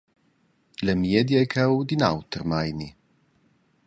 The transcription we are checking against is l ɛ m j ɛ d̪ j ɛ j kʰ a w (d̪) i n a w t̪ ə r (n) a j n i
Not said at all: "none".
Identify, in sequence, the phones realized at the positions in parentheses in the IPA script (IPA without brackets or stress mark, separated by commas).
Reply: d̪, m